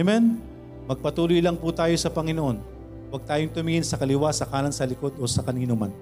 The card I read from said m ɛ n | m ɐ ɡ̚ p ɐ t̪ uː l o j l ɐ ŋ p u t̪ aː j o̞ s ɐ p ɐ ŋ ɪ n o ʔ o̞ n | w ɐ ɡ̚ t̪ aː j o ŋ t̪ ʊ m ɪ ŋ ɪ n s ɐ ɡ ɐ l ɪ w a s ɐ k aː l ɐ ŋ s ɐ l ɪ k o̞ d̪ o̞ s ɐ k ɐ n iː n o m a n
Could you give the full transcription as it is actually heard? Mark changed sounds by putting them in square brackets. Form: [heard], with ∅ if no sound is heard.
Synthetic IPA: m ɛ n | m ɐ ɡ̚ p ɐ t̪ uː l o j l ɐ ŋ p u t̪ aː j o̞ s ɐ p ɐ ŋ ɪ n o ʔ o̞ n | w ɐ ɡ̚ t̪ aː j o ŋ t̪ ʊ m ɪ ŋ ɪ n s ɐ [k] ɐ l ɪ w a s ɐ k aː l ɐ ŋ s ɐ l ɪ k o̞ d̪ o̞ s ɐ k ɐ n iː n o m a n